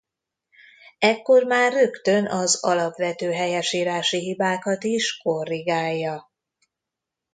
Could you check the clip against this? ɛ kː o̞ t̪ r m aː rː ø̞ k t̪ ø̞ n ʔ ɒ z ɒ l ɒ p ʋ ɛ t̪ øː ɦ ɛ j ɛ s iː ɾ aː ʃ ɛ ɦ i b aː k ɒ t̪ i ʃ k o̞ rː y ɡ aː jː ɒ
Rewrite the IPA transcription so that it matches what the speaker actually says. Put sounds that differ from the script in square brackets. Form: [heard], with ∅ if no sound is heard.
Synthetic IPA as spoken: ɛ kː o̞ [∅] r m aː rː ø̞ k t̪ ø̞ n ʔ ɒ z ɒ l ɒ p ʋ ɛ t̪ øː ɦ ɛ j ɛ [ʃ] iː ɾ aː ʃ [i] ɦ i b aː k ɒ t̪ i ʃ k o̞ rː [i] ɡ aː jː ɒ